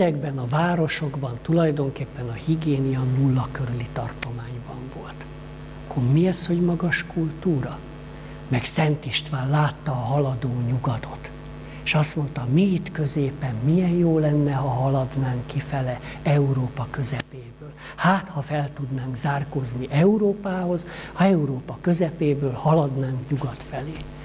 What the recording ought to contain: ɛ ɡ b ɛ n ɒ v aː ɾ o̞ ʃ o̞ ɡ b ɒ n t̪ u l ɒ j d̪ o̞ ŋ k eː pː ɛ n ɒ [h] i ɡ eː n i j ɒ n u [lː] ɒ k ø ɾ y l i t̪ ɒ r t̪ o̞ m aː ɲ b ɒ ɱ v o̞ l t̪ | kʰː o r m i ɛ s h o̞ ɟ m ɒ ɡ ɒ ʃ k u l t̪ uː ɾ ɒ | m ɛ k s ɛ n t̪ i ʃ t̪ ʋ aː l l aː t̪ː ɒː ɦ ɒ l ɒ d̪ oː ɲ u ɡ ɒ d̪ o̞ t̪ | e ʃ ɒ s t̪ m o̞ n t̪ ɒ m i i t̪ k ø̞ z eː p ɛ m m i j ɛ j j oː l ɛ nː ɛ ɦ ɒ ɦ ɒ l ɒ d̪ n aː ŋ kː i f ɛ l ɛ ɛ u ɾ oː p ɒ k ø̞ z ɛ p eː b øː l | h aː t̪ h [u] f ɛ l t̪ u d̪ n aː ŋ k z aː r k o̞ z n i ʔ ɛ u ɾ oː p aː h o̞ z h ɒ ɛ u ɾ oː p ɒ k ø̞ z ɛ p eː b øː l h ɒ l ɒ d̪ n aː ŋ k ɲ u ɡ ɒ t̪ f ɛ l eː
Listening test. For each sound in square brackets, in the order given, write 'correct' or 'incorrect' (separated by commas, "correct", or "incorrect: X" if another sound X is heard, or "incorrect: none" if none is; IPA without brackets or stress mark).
correct, correct, incorrect: ɒ